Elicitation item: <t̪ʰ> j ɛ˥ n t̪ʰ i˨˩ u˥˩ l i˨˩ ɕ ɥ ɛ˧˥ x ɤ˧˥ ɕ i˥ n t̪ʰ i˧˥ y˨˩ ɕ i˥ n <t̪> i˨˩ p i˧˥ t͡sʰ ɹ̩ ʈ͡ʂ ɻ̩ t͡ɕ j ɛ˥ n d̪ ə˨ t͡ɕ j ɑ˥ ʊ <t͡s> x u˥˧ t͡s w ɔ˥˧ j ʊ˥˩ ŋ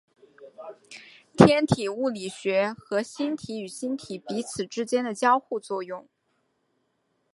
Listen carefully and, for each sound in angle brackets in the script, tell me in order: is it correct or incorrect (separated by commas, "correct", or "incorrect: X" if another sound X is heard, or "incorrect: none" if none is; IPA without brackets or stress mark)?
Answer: correct, incorrect: t̪ʰ, incorrect: none